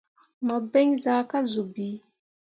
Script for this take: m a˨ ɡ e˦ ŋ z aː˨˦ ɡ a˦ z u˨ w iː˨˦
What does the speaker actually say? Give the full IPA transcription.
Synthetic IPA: m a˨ b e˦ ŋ z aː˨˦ k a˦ z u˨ b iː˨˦